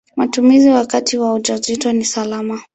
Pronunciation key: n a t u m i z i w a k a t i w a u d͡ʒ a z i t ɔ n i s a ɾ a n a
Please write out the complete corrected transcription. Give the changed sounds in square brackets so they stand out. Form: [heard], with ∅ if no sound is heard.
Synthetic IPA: [m] a t u m i z i w a k a t i w a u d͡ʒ a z i t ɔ n i s a [l] a [m] a

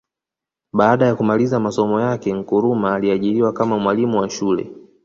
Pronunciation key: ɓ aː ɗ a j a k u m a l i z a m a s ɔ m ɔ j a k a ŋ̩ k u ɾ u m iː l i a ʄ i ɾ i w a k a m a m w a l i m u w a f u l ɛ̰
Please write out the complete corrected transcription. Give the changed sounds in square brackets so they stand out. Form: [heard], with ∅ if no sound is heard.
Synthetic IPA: ɓ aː ɗ a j a k u m a l i z a m a s ɔ m ɔ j a k [ɛ] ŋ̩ k u ɾ u m [aː] l i a ʄ i ɾ i w a k a m a m w a l i m u w a [ʃ] u l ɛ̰

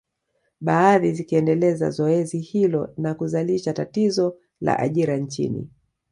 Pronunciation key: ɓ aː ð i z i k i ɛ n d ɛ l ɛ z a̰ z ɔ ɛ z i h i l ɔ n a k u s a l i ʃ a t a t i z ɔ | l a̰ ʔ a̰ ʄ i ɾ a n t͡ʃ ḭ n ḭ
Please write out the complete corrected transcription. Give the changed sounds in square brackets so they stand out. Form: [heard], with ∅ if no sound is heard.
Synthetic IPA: ɓ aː ð i z i k i ɛ n d ɛ l ɛ z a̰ z ɔ ɛ z i h i l ɔ n a k u [z] a l i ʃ a t a t i z ɔ | l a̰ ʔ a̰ ʄ i ɾ a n t͡ʃ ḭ n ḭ

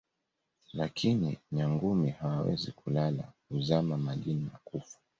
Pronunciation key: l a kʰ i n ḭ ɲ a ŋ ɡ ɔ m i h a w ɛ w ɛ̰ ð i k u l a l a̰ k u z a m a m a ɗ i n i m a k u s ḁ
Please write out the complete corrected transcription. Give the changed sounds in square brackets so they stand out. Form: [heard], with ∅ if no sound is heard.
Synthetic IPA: l a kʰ i n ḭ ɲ a ŋ ɡ [u] m i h a w [a] w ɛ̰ [z] i k u l a l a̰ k u z a m a m a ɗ i n i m a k u [f] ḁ

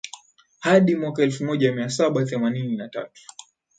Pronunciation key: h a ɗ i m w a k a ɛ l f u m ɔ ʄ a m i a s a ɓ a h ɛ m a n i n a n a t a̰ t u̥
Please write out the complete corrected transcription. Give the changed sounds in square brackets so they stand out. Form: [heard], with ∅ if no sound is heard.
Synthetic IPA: h a ɗ i m w a k a ɛ l f u m ɔ ʄ a m i a s a ɓ a [θ] ɛ m a n i n [i] n a t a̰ t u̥

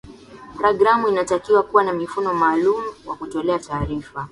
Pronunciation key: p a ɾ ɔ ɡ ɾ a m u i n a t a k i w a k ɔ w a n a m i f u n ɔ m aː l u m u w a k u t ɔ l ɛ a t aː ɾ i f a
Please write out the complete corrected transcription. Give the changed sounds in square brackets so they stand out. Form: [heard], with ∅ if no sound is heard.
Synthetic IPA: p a ɾ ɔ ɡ ɾ a m u i n a t a k i w a k [u] w a n a m i f u n ɔ m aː l u m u w a k u t ɔ l ɛ a t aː ɾ i f a

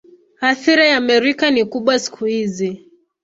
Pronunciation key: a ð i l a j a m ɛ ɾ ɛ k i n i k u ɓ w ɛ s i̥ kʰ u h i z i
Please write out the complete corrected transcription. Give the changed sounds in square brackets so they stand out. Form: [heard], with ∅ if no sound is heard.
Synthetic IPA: a [θ] i [ɾ] a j a m ɛ ɾ [i] k [a] n i k u ɓ w [a] s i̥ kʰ u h i z i

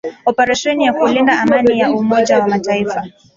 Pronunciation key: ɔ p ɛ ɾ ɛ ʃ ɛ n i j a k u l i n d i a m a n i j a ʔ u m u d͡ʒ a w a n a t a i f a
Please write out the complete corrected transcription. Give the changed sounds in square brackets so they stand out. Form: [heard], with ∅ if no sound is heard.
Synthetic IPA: ɔ p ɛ ɾ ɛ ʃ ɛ n i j a k u l i n d [a] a m a n i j a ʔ u m [ɔ] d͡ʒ a w a [m] a t a i f a

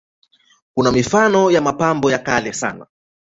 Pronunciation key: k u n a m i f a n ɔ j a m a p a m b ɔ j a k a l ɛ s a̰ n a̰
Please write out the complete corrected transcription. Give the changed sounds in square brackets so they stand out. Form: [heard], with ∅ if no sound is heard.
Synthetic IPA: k u n a m i f a n ɔ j a m a p a m b ɔ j a k a l ɛ s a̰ n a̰

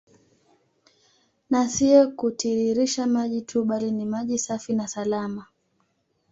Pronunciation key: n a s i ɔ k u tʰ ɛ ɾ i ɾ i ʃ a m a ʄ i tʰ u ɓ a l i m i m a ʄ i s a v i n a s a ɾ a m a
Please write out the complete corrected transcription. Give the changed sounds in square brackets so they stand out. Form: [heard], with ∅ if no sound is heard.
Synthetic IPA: n a s i ɔ k u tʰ [i] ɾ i ɾ i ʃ a m a ʄ i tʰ u ɓ a l i [n] i m a ʄ i s a [f] i n a s a [l] a m a

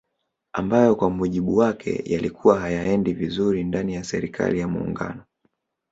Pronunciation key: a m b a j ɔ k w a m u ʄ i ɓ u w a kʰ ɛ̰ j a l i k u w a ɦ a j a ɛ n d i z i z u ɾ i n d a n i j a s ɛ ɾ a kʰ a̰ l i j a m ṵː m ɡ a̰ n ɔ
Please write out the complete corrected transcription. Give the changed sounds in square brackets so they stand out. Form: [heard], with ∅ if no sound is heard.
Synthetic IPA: a m b a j ɔ k w a m u ʄ i ɓ u w a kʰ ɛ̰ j a l i k u w a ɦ a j a ɛ n d i [v] i z u ɾ i n d a n i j a s ɛ ɾ [i] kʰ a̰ l i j a m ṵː [ŋ] ɡ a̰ n ɔ

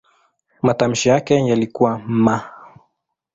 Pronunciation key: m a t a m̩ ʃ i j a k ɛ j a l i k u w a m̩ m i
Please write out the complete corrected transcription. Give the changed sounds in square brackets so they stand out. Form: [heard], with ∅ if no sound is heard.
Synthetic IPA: m a t a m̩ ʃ i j a k ɛ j a l i k u w a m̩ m [a]

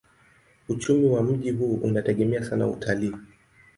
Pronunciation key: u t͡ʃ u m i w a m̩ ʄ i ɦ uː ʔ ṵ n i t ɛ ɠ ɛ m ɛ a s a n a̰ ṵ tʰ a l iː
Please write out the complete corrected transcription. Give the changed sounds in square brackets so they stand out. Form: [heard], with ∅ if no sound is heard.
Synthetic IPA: u t͡ʃ u m i w a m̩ ʄ i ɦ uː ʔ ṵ n [a] t ɛ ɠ ɛ m ɛ a s a n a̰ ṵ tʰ a l iː

